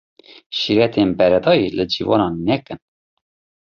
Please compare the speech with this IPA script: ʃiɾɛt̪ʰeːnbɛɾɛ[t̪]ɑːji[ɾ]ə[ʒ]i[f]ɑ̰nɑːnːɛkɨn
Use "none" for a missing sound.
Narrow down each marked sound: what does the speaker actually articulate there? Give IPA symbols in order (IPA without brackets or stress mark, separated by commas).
d̪, l, d͡ʒ, v